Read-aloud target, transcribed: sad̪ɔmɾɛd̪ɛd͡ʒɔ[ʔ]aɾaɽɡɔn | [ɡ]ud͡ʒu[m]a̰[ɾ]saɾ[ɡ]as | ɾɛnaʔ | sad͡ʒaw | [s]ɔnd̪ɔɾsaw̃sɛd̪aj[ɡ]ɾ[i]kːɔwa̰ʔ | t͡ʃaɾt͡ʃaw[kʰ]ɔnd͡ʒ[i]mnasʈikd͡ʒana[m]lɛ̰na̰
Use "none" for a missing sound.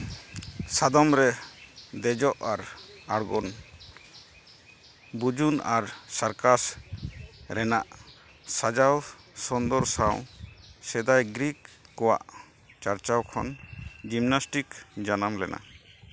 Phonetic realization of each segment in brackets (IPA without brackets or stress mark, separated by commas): ʔ, b, n, ɾ, k, s, ɡ, i, kʰ, i, m